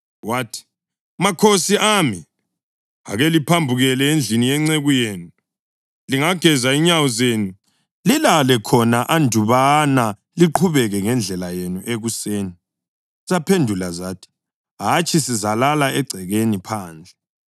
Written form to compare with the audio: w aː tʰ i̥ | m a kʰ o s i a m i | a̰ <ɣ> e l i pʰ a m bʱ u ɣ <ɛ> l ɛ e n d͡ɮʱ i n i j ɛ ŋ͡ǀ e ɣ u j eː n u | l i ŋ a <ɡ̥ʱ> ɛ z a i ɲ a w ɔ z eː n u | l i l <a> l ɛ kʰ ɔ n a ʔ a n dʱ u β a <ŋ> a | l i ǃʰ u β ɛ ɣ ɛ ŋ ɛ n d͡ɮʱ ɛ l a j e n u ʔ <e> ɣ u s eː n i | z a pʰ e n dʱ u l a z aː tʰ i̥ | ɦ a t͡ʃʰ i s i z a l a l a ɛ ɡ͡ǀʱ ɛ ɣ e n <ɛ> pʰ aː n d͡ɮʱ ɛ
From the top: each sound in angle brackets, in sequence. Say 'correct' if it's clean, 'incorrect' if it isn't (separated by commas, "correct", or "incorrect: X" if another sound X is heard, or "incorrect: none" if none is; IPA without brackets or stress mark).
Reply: correct, correct, correct, correct, incorrect: n, correct, incorrect: i